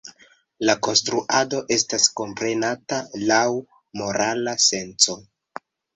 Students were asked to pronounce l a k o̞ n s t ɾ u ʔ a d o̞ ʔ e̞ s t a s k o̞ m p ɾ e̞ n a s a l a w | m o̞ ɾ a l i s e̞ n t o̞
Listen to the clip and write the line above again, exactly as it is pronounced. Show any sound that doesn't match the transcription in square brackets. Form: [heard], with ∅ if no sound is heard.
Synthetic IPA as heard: l a k o̞ n s t ɾ u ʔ a d o̞ ʔ e̞ s t a s k o̞ m p ɾ e̞ n a [t] a l a w | m o̞ ɾ a l [a] s e̞ n [t͡s] o̞